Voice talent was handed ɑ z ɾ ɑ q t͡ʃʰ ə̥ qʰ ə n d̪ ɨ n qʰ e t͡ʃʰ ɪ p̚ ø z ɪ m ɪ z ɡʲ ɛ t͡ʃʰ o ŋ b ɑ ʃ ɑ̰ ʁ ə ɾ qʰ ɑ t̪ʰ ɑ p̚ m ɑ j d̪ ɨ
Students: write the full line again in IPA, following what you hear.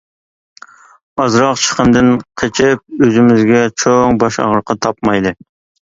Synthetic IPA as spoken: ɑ z ɾ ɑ q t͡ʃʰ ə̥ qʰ ə n d̪ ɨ n qʰ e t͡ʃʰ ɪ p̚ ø z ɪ m ɪ z ɡʲ ɛ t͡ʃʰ o ŋ b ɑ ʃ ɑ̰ ʁ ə ɾ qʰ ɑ t̪ʰ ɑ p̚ m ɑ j d̪ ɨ